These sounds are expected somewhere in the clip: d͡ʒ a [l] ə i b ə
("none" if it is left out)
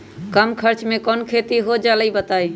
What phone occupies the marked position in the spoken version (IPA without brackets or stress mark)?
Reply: l